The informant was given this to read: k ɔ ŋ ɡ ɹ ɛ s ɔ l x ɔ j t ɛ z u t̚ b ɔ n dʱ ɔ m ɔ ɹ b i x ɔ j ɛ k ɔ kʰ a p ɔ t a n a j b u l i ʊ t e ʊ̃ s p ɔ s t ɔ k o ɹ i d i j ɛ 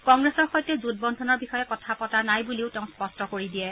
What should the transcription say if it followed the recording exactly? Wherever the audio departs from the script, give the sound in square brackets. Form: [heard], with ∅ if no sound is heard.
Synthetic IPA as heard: k ɔ ŋ ɡ ɹ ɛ s ɔ [ɹ] x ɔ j t ɛ z u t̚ b ɔ n dʱ ɔ [n] ɔ ɹ b i x ɔ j ɛ k ɔ [tʰ] a p ɔ t a n a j b u l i ʊ t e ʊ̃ s p ɔ s t ɔ k o ɹ i d i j ɛ